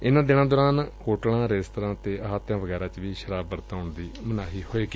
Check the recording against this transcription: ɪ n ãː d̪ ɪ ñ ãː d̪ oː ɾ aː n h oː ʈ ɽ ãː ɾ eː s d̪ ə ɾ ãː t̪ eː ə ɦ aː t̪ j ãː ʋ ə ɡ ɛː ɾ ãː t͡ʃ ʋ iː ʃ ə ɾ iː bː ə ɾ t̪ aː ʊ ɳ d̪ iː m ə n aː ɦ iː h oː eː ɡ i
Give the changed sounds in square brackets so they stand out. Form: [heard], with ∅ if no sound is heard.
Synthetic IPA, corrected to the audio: ɪ n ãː d̪ ɪ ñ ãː d̪ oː ɾ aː n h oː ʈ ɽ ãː ɾ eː s [t̪] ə ɾ ãː t̪ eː ə ɦ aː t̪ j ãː ʋ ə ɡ ɛː ɾ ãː t͡ʃ ʋ iː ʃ ə ɾ [aː] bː ə ɾ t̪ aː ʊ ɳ d̪ iː m ə n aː ɦ iː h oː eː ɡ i